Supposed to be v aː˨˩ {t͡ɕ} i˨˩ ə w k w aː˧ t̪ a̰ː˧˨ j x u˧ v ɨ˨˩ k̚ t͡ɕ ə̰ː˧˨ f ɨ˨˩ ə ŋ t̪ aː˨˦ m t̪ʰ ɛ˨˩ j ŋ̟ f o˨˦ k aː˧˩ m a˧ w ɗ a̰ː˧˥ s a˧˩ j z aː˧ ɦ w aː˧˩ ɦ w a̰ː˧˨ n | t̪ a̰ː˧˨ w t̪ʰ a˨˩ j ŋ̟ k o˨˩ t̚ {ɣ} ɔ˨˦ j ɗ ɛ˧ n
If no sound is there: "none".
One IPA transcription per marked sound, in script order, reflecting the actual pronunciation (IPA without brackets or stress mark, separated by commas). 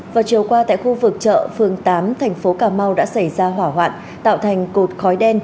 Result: t͡ɕ, x